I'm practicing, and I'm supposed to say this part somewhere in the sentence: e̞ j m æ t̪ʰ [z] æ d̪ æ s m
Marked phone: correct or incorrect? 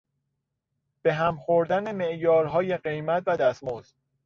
incorrect